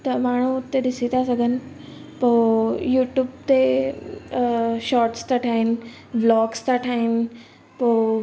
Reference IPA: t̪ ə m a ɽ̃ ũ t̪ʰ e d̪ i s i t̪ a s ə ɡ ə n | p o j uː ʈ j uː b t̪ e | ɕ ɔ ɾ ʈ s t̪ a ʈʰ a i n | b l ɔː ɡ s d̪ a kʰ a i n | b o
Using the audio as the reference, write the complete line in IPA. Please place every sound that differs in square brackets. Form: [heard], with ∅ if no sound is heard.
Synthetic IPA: t̪ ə m a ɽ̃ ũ [t̪] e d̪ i s i t̪ a s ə ɡ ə n | p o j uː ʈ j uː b t̪ e | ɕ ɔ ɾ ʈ s t̪ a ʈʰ a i n | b l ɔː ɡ s [t̪] a [ʈʰ] a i n | [p] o